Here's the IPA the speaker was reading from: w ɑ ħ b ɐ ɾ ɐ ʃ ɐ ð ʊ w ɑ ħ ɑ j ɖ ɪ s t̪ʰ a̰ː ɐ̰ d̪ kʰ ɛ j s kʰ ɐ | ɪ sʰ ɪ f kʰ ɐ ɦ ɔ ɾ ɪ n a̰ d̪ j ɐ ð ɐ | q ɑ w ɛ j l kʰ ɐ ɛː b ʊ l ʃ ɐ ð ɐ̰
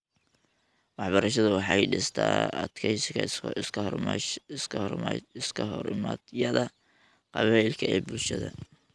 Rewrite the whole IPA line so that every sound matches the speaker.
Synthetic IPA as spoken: w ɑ ħ b ɐ ɾ ɐ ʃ ɐ ð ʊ w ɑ ħ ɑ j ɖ ɪ s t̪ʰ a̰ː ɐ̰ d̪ kʰ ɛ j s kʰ ɐ | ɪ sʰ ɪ s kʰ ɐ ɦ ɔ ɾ ɪ m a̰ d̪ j ɐ ð ɐ | q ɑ β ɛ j l kʰ ɐ ɛː b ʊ l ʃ ɐ ð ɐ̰

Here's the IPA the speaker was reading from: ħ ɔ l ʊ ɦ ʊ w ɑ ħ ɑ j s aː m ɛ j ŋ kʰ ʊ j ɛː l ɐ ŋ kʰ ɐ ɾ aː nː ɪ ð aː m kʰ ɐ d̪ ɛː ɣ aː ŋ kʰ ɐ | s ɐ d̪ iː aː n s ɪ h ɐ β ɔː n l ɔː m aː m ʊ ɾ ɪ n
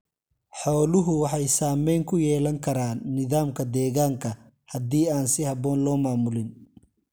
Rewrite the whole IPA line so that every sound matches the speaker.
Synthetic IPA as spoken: ħ ɔː l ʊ ɦ ʊ w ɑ ħ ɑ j s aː m ɛ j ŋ kʰ ʊ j ɛː l ɐ ŋ kʰ ɐ ɾ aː nː ɪ ð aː m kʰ ɐ d̪ ɛː ɣ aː ŋ kʰ ɐ | h ɐ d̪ iː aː n s ɪ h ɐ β ɔː n l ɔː m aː m ʊ l ɪ n

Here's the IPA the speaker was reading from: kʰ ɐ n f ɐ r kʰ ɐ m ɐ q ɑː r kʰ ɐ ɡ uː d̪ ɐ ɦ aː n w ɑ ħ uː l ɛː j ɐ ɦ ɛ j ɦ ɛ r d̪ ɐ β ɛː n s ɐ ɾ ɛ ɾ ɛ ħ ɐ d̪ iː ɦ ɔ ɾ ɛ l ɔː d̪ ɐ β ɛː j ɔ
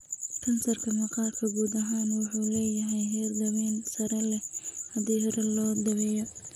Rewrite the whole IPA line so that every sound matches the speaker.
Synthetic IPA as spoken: kʰ ɐ n s ɐ r kʰ ɐ m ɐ q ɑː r kʰ ɐ ɡ uː d̪ ɐ ɦ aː n w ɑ ħ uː l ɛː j ɐ ɦ ɛ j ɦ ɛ r d̪ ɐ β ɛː n s ɐ ɾ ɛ l ɛ h ɐ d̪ iː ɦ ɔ ɾ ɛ l ɔː d̪ ɐ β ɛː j ɔ

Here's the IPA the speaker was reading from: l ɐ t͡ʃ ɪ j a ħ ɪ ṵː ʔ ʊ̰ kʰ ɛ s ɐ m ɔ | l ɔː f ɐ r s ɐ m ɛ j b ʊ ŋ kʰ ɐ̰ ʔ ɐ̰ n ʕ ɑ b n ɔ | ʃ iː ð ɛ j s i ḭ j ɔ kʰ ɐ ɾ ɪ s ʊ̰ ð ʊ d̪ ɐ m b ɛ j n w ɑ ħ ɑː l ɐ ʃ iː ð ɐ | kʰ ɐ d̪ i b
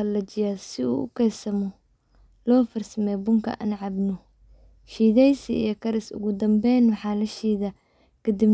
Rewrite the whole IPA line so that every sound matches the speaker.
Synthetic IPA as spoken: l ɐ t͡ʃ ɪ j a s ɪ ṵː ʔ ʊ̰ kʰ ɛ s ɐ m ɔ | l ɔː f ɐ r s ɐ m ɛ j b ʊ ŋ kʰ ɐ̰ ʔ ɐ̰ n ʕ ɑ b n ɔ | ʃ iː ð ɛ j s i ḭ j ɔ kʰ ɐ ɾ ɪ s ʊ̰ ɣ ʊ d̪ ɐ m b ɛ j n w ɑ ħ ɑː l ɐ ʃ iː ð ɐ | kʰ ɐ d̪ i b

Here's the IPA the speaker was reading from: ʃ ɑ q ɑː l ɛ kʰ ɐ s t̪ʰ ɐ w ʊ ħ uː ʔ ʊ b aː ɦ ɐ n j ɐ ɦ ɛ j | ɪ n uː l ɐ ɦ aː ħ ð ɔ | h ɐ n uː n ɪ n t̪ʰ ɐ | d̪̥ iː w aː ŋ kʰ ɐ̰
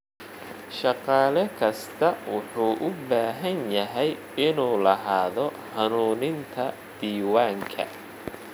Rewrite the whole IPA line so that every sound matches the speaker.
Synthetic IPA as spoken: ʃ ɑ q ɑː l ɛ kʰ ɐ s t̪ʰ ɐ w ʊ ħ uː ʔ ʊ b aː ɦ ɐ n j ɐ ɦ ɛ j | ɪ n uː l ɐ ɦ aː ð ɔ | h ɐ n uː n ɪ n t̪ʰ ɐ | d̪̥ iː w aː ŋ kʰ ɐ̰

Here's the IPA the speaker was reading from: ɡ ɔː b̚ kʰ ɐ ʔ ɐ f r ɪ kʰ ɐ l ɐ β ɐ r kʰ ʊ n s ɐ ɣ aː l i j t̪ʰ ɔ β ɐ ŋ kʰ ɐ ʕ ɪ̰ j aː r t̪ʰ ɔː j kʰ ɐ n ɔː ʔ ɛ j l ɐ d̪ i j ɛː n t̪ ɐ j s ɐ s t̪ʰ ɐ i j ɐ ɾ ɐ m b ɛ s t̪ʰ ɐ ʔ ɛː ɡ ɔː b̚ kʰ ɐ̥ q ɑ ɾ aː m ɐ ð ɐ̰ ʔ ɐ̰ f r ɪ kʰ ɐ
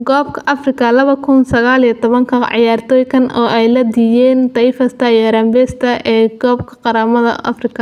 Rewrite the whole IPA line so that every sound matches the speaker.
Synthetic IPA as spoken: ɡ ɔː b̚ kʰ ɐ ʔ ɐ f r ɪ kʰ ɐ l ɐ β ɐ kʰ ʊ n s ɐ ɣ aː l i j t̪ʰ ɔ β ɐ ŋ kʰ ɐ ʕ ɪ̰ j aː r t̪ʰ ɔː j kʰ ɐ n ɔː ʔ ɛ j l ɐ d̪ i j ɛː n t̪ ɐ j f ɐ s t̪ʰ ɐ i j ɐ ɾ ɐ m b ɛ s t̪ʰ ɐ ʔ ɛː ɡ ɔː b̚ kʰ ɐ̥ q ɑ ɾ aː m ɐ ð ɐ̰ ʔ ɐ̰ f r ɪ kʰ ɐ

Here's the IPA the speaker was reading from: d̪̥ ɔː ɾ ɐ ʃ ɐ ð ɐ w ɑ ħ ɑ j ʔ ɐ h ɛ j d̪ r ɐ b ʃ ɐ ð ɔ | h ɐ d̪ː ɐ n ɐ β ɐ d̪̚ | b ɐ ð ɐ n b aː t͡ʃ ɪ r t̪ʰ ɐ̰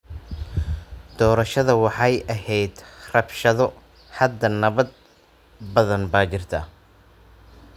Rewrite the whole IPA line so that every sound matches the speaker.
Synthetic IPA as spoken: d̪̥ ɔː ɾ ɐ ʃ ɐ ð ɐ w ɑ ħ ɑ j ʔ ɐ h ɛ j d̪ r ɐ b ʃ ɐ ð ɔ | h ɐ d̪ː ɐ n ɐ β ɐ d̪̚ | b ɐ ð ɐ n b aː t͡ʃ ɪ r t̪ʰ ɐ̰

